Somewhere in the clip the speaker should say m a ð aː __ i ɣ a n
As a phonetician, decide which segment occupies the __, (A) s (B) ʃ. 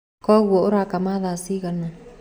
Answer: A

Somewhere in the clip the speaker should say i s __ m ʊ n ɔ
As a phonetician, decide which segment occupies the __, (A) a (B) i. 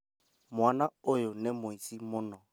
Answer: B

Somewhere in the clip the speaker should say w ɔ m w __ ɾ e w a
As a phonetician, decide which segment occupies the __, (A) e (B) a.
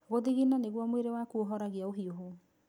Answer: A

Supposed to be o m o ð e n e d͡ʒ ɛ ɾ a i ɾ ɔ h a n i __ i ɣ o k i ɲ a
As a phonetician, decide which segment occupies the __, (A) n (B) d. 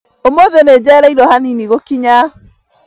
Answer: A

